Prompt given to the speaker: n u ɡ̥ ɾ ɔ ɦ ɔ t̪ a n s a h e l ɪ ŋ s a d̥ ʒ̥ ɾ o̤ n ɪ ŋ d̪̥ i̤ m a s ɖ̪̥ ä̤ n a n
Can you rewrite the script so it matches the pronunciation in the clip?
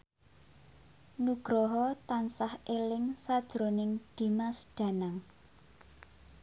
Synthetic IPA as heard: n u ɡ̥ ɾ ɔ ɦ ɔ t̪ a n s a h e l ɪ ŋ s a d̥ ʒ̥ ɾ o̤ n ɪ ŋ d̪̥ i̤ m a s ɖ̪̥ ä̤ n a ŋ